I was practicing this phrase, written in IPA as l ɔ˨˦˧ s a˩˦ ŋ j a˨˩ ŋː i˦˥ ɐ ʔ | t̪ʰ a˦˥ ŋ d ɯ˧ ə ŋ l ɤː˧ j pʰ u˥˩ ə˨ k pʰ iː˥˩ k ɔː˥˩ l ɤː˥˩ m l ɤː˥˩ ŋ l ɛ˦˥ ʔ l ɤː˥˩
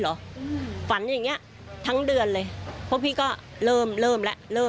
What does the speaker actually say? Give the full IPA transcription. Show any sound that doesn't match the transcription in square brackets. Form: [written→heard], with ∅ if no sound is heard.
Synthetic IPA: l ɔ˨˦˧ [s→f] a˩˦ [ŋ→n] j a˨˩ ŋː i˦˥ ɐ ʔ | t̪ʰ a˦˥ ŋ d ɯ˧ ə [ŋ→n] l ɤː˧ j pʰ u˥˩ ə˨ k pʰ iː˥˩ k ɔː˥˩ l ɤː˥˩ m l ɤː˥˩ [ŋ→m] l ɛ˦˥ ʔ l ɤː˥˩